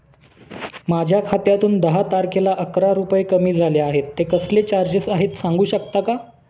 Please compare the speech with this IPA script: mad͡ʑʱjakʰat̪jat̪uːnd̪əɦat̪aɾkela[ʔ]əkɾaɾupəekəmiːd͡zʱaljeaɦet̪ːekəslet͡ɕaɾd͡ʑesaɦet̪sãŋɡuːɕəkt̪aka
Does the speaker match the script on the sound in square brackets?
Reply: yes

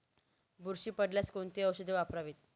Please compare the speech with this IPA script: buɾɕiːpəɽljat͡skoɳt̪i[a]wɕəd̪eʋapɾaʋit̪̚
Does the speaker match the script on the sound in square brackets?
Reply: no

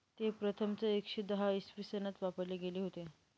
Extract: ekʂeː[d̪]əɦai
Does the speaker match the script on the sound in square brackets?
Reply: yes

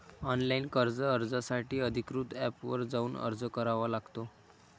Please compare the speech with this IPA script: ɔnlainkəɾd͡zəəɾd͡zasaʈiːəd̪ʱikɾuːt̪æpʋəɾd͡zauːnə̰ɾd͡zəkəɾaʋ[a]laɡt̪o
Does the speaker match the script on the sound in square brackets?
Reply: yes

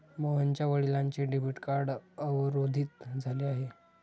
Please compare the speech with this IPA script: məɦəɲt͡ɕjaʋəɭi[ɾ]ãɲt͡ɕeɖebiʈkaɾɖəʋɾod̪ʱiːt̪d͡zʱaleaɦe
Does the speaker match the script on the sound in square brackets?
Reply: no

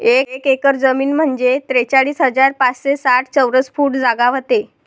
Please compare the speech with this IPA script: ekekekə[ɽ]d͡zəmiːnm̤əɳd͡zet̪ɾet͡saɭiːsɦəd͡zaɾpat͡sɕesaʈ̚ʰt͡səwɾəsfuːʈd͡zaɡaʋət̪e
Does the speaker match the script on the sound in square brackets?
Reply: no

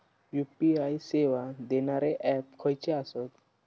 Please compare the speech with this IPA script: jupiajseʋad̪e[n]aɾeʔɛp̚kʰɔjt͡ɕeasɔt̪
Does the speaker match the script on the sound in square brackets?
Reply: yes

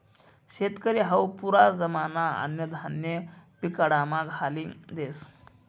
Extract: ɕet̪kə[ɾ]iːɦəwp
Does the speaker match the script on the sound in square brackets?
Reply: yes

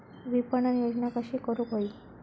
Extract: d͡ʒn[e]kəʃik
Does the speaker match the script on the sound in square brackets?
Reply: no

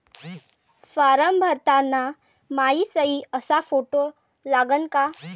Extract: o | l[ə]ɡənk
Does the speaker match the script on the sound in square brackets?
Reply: no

